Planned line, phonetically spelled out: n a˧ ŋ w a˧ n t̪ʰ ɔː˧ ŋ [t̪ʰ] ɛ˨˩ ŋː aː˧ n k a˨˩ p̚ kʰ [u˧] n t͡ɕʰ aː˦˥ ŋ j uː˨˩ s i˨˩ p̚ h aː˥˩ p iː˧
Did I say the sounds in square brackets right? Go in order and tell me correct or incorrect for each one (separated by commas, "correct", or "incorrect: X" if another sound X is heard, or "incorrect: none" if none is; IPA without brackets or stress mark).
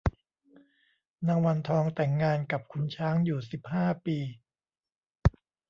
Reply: incorrect: t̪, correct